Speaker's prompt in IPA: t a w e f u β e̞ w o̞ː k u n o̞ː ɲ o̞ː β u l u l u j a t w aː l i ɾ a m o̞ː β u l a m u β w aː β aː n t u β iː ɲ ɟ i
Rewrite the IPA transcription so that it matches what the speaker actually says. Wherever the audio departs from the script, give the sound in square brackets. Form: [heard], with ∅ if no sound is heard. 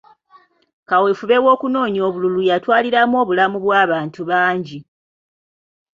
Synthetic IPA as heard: [k] a w e f u β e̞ w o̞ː k u n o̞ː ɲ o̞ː β u l u l u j a t w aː l i ɾ a m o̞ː β u l a m u β w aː β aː n t u β [aː] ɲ ɟ i